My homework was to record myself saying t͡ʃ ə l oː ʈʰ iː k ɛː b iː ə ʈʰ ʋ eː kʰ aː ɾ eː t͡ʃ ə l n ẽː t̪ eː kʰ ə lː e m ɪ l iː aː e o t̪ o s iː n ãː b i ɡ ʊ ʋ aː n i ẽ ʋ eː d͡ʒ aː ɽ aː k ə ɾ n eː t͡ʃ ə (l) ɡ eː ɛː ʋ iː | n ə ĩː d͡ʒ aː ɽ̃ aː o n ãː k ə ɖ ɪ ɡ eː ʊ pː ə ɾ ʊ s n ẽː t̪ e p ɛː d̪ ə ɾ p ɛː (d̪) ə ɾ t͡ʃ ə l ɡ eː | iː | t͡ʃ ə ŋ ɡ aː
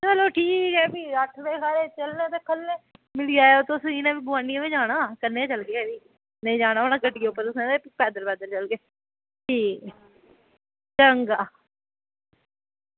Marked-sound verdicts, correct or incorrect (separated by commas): correct, correct